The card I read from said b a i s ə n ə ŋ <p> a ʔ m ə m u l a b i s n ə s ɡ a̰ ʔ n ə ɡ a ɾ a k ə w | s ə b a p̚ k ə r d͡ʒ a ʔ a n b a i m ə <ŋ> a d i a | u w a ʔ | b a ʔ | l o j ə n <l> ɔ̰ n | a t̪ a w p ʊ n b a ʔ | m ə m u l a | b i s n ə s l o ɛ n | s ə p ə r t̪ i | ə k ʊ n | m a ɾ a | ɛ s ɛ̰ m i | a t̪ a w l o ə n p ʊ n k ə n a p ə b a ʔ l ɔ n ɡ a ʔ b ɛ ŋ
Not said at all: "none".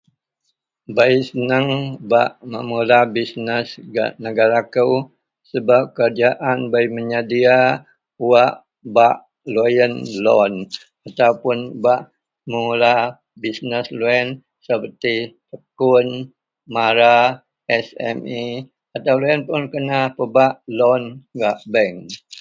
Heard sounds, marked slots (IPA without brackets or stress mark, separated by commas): b, ɲ, l